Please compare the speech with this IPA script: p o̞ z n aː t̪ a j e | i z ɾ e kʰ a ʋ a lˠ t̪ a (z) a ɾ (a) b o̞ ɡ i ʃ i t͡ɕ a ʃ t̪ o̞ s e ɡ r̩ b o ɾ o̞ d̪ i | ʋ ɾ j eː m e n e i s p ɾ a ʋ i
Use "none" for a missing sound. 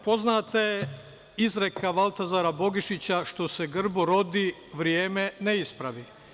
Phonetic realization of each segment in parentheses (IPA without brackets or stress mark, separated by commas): z, a